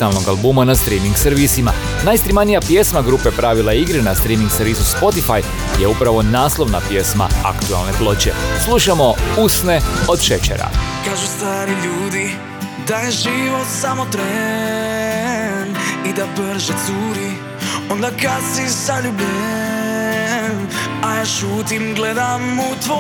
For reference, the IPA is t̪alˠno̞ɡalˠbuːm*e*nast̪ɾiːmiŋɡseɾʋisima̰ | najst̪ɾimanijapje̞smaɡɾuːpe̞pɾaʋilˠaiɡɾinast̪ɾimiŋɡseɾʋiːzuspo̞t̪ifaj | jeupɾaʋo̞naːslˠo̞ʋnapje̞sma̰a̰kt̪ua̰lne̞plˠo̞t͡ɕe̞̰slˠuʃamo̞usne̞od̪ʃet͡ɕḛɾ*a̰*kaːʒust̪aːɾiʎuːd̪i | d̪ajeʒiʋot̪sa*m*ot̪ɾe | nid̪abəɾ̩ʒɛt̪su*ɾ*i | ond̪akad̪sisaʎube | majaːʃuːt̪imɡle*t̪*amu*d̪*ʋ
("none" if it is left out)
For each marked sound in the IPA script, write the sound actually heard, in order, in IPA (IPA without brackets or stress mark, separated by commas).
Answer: a, a̰, m, ɾ, d̪, t̪